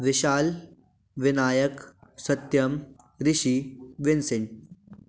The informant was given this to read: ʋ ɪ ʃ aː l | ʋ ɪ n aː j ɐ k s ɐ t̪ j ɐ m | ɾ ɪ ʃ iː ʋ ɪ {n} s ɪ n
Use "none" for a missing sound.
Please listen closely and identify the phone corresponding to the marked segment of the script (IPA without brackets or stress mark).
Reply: n